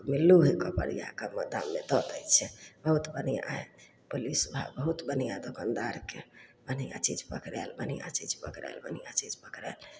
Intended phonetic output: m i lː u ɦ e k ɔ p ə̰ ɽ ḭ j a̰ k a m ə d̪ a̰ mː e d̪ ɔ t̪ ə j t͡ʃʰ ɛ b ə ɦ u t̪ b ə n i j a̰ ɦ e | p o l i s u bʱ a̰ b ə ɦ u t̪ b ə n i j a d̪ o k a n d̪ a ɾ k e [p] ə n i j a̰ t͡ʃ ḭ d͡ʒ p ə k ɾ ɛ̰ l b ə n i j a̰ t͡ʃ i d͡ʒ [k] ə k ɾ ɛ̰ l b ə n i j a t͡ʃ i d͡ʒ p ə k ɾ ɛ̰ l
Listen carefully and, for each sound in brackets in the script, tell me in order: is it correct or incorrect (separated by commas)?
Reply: incorrect, incorrect